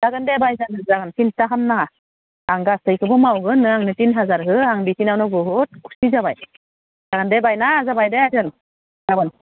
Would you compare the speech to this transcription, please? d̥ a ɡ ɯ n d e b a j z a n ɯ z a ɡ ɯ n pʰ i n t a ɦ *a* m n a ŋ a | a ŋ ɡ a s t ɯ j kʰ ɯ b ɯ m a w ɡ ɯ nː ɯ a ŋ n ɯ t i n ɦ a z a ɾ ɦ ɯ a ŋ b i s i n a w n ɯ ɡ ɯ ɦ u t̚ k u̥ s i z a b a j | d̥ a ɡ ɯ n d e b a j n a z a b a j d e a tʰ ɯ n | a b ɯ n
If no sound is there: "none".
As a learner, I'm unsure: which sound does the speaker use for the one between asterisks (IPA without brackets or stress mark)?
a